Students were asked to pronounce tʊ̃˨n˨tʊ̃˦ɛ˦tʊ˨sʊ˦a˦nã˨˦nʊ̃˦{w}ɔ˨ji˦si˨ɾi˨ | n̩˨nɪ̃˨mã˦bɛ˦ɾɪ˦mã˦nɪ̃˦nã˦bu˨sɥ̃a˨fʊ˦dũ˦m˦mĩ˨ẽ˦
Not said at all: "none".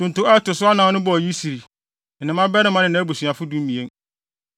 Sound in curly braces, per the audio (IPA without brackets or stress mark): b